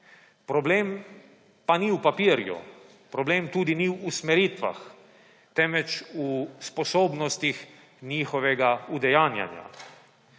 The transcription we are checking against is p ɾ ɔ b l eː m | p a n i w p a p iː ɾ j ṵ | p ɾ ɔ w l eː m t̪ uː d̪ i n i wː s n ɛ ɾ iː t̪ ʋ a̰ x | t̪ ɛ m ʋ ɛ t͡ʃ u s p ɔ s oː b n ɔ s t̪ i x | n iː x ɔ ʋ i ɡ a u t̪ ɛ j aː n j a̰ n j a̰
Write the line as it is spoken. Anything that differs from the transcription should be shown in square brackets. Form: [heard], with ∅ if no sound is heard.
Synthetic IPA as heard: p ɾ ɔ b l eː m | p a n i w p a p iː ɾ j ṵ | p ɾ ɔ [b] l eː m t̪ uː d̪ i n i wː s [m] ɛ ɾ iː t̪ ʋ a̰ x | t̪ ɛ m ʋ ɛ t͡ʃ u s p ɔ s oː b n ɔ s t̪ i x | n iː x ɔ ʋ [ɛ] ɡ a u [d̪] ɛ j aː n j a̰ n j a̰